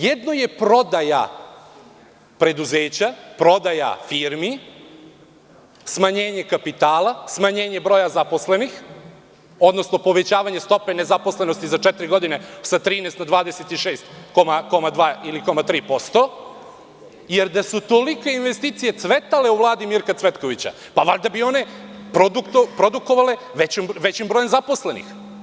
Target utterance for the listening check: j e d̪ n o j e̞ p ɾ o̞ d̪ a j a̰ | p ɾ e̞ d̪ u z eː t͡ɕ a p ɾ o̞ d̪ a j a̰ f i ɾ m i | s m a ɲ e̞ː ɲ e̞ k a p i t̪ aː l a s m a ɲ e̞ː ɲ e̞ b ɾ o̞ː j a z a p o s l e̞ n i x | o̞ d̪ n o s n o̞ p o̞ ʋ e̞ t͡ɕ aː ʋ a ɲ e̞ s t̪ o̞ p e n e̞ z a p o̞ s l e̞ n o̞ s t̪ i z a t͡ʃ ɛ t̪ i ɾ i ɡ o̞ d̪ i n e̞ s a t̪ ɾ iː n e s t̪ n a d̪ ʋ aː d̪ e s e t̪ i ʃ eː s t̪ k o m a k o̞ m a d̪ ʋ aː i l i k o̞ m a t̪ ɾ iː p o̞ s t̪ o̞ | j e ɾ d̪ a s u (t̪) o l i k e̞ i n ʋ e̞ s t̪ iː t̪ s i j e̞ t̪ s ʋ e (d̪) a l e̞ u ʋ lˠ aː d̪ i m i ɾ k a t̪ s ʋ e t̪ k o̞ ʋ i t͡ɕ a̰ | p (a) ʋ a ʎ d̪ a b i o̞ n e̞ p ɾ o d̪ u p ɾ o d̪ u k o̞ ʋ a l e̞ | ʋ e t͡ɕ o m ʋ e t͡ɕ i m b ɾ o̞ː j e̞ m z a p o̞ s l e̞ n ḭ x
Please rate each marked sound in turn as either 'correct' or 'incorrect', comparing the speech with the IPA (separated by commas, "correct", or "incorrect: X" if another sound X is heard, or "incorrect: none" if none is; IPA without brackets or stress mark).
correct, incorrect: t̪, correct